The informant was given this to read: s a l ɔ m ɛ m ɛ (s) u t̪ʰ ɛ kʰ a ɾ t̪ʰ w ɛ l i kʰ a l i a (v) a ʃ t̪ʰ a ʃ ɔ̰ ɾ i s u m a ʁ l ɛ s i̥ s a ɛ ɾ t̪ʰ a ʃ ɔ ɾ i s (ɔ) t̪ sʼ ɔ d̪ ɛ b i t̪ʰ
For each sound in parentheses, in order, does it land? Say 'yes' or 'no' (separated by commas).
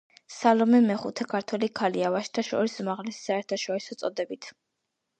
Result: no, yes, yes